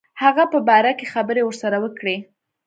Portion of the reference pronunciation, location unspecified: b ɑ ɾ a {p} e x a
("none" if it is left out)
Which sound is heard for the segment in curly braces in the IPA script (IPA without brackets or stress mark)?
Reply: k